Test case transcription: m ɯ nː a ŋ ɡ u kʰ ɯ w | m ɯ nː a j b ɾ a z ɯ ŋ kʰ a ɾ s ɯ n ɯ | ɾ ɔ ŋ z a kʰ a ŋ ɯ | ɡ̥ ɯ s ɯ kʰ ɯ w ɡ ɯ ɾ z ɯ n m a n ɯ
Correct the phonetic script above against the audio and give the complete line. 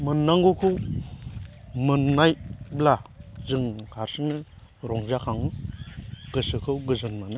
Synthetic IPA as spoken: m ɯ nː a ŋ ɡ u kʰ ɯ w | m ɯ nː a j b l a z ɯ ŋ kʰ a ɾ s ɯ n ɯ | ɾ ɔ ŋ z a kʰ a ŋ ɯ | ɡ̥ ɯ s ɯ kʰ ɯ w ɡ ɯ z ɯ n m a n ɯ

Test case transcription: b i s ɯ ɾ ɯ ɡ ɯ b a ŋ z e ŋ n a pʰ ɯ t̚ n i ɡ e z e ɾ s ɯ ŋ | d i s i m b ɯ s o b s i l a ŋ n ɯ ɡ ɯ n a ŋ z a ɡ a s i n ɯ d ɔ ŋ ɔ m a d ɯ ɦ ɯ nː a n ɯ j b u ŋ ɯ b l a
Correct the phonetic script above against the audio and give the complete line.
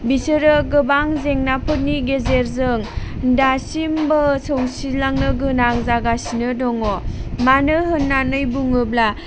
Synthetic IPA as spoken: b i s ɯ ɾ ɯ ɡ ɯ b a ŋ z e ŋ n a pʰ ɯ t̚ n i ɡ e z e ɾ z ɯ ŋ | d a s i m b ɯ s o w s i l a ŋ n ɯ ɡ ɯ n a ŋ z a ɡ a s i n ɯ d ɔ ŋ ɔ m a n ɯ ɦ ɯ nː a n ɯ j b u ŋ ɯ b l a

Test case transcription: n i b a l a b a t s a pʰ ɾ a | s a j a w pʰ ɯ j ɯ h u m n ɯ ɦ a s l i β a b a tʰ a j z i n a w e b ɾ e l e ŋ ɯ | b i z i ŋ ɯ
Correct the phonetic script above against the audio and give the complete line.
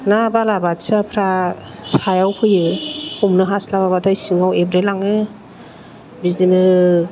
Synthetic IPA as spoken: n a b a l a b a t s a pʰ ɾ a | s a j a w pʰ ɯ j ɯ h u m n ɯ ɦ a s l a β a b a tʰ a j s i ŋ a w e b ɾ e l a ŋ ɯ | b i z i n ɯ

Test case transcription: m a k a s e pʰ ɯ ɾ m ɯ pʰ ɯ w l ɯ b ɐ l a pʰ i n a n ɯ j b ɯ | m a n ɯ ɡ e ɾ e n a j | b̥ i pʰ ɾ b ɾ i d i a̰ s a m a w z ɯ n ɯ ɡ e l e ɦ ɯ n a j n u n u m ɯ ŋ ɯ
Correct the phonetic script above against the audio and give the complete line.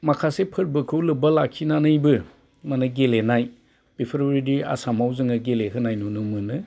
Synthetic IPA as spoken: m a kʰ a s e pʰ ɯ ɾ b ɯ kʰ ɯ w l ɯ b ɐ l a kʰ i n a n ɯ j b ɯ | m a n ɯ ɡ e l e n a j | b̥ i pʰ ɾ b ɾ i d i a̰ s a m a w z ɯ ŋ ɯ ɡ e l e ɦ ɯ n a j n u n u m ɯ n ɯ

